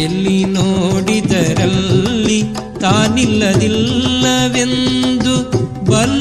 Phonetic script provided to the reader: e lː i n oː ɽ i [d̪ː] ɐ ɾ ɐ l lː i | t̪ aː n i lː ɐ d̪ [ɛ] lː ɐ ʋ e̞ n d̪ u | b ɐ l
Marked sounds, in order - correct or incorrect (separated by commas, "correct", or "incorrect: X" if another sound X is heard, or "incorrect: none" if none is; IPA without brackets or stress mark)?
incorrect: d̪, incorrect: i